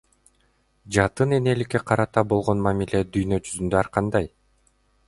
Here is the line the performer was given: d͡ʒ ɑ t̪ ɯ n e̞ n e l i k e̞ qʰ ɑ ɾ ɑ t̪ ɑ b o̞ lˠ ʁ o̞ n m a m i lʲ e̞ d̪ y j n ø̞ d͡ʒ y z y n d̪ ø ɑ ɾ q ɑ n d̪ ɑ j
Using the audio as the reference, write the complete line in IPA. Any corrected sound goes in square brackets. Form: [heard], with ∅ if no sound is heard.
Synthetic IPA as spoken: d͡ʒ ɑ t̪ ɯ n e̞ n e l i k e̞ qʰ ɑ ɾ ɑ t̪ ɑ b o̞ lˠ ʁ o̞ n m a m i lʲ e̞ d̪ y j n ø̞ d͡ʒ y z y n d̪ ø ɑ ɾ q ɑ n d̪ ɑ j